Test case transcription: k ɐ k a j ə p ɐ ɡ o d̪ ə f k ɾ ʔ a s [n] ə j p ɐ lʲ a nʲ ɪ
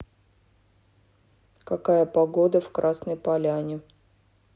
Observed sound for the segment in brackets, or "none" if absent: n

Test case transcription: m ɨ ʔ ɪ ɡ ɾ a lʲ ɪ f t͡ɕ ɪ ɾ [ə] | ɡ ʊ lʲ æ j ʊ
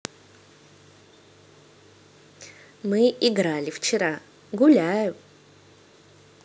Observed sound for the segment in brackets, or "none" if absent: a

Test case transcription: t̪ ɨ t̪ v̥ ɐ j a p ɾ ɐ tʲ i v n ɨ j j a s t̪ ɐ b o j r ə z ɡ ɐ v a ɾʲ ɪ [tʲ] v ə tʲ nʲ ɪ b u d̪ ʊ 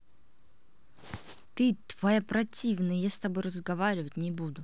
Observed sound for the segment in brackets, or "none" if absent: none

